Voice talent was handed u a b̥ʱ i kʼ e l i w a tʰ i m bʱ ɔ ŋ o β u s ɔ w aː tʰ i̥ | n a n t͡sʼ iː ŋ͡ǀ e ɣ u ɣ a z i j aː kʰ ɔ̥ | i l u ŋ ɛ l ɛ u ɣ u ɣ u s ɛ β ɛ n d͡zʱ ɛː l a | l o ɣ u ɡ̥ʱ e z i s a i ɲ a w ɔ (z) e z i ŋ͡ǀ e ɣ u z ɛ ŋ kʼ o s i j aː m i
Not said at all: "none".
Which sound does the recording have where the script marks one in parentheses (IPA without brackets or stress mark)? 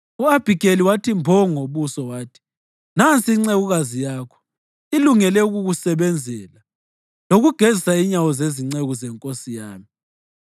z